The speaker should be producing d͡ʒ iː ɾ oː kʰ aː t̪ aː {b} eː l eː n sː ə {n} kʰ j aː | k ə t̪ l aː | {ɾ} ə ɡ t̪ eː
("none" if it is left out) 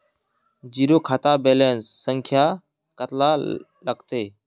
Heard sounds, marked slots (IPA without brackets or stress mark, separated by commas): b, ŋ, l